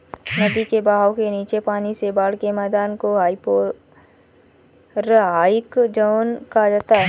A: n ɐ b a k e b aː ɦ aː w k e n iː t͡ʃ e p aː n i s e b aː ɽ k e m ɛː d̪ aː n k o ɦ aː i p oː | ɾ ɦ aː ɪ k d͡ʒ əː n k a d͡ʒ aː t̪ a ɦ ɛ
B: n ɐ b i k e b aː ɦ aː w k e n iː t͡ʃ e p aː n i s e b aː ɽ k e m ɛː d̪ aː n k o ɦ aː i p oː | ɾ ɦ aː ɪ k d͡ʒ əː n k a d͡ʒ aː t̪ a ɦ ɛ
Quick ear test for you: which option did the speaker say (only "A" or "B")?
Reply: B